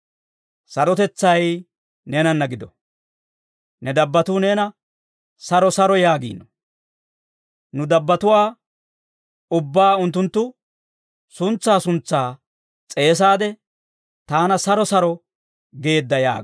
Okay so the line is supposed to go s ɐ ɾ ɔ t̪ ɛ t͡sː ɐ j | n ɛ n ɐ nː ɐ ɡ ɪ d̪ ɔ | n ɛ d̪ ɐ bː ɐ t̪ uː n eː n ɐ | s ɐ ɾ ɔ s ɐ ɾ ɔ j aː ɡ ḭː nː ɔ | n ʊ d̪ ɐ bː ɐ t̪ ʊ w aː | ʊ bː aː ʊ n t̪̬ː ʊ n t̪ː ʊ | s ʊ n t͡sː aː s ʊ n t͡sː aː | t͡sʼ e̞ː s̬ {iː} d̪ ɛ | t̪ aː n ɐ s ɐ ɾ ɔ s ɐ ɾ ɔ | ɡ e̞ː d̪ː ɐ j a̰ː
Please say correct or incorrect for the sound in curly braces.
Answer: incorrect